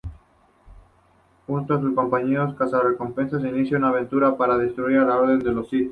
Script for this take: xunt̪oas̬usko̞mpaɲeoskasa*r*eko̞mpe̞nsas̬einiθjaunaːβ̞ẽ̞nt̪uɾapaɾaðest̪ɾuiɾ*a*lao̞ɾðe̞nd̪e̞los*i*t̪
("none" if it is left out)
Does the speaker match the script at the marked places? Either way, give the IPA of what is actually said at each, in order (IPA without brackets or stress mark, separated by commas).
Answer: r, a, i